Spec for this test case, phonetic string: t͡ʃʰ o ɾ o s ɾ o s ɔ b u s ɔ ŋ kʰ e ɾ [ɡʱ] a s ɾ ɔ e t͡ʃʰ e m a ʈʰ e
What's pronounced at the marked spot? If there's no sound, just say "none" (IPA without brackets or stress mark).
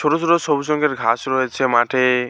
ɡʱ